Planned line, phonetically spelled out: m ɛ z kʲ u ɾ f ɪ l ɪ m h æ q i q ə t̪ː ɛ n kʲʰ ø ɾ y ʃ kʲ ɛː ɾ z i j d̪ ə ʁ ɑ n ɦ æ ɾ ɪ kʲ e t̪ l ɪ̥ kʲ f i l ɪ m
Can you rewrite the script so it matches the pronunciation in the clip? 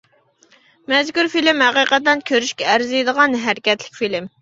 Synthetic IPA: m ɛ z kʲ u ɾ f i l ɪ m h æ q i q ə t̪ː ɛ n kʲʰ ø ɾ y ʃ kʲ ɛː ɾ z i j d̪ ə ʁ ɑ n ɦ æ ɾ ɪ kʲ ɛ t̪ l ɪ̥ kʲ f i l ɪ m